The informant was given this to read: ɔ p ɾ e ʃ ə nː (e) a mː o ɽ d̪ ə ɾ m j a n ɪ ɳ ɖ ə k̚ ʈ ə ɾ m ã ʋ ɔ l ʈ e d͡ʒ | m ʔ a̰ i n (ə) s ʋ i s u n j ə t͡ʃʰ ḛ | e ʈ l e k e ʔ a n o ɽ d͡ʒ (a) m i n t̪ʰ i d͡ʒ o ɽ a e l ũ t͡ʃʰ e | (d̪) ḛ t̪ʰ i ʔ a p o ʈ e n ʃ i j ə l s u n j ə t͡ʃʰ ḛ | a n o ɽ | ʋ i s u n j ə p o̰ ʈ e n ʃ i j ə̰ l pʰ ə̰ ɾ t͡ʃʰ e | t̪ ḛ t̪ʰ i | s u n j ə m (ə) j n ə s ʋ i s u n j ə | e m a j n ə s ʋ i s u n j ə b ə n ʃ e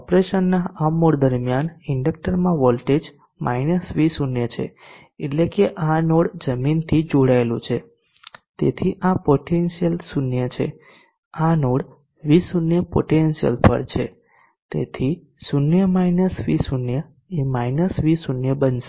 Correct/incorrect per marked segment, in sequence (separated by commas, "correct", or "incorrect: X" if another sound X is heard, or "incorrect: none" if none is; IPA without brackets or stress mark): incorrect: a, correct, incorrect: ə, incorrect: t̪, incorrect: a